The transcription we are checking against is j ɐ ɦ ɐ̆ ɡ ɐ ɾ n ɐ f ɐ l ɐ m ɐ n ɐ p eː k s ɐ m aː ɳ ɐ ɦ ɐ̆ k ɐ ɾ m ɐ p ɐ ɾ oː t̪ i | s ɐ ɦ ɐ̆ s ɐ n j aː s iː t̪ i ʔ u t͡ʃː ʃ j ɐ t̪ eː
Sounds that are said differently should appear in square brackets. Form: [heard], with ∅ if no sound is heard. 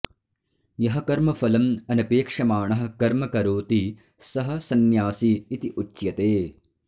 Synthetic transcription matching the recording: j ɐ ɦ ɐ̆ [k] ɐ ɾ [m] ɐ f ɐ l ɐ m ɐ n ɐ p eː k [ʂ] ɐ m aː ɳ ɐ ɦ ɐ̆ k ɐ ɾ m ɐ [k] ɐ ɾ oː t̪ i | s ɐ ɦ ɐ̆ s ɐ n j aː s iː t̪ i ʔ u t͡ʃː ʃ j ɐ t̪ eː

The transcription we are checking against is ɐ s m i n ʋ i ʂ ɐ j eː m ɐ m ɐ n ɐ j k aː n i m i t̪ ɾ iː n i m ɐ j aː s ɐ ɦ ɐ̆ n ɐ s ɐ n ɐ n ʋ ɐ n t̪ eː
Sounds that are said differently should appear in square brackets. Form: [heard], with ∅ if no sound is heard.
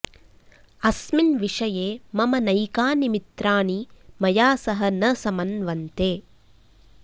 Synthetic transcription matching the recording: ɐ s m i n ʋ i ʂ ɐ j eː m ɐ m ɐ n ɐ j k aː n i m i t̪ ɾ [aː] n i m ɐ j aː s ɐ ɦ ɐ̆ n ɐ s ɐ [m] ɐ n ʋ ɐ n t̪ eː

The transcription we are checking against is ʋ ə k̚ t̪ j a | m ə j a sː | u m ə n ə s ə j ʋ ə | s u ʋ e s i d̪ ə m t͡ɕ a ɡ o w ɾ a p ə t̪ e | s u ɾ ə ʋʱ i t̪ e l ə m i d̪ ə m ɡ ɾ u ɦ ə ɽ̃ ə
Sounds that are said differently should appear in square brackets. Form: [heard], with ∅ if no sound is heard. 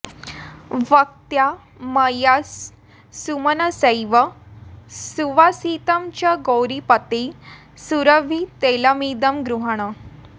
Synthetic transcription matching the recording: ʋ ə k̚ t̪ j a | m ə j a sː | u m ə n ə s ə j ʋ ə | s u ʋ [a] s i [t̪] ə m t͡ɕ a ɡ o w ɾ [i] p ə t̪ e | s u ɾ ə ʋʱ i t̪ e l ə m i d̪ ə m ɡ ɾ u ɦ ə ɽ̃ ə

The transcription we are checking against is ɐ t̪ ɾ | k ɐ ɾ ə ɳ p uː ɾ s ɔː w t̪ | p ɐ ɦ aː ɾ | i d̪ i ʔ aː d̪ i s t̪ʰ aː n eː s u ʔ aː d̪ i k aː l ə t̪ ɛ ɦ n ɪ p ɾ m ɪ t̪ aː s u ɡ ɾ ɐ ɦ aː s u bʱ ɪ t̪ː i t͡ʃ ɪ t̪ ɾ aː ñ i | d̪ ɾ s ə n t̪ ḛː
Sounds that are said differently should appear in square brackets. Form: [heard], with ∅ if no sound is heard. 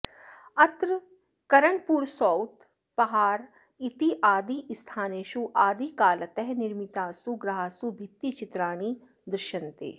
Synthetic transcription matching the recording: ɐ t̪ ɾ | k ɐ ɾ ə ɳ p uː ɾ s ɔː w t̪ | p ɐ ɦ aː ɾ | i [t̪] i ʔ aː d̪ i s t̪ʰ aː n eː [ʃ] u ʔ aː d̪ i k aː l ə t̪ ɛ ɦ n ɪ [∅] ɾ m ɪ t̪ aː s u ɡ ɾ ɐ ɦ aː s u bʱ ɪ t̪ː i t͡ʃ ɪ t̪ ɾ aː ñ i | d̪ ɾ [ʃ] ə n t̪ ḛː

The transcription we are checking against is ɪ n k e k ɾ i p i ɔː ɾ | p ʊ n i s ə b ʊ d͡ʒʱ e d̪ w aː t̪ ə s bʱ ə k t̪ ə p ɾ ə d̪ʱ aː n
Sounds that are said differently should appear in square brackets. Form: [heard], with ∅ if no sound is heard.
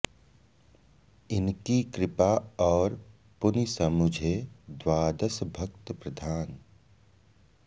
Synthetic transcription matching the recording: ɪ n k [i] k ɾ [ɪ] p [a] ɔː ɾ | p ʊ n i s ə [m] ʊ d͡ʒʱ e d̪ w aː [d̪] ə s bʱ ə k t̪ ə p ɾ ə d̪ʱ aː n

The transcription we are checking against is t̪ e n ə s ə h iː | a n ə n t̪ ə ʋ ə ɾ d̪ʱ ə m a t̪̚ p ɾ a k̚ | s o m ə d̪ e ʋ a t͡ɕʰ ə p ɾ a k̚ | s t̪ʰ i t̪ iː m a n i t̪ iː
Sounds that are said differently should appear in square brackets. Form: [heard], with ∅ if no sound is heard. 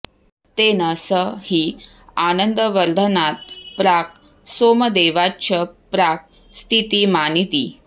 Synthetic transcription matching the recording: t̪ e n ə s ə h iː | a n ə n [d̪] ə ʋ ə ɾ d̪ʱ ə [n] a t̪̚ p ɾ a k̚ | s o m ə d̪ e ʋ a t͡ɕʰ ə p ɾ a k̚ | s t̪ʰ i t̪ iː m a n i t̪ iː

